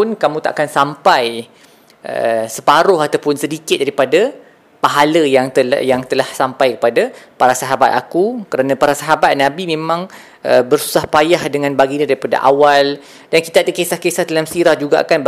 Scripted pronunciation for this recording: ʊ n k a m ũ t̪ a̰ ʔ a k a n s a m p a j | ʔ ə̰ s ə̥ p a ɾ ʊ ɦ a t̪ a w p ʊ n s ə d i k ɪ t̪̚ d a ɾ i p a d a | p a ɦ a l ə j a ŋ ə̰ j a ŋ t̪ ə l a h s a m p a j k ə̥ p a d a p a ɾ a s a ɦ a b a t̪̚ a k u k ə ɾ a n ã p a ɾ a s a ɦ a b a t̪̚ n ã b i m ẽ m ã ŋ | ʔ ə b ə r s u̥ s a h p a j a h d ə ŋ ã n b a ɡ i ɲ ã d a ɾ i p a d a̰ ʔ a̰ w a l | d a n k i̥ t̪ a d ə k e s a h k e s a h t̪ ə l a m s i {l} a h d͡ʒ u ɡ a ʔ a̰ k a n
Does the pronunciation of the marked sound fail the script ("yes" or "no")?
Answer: yes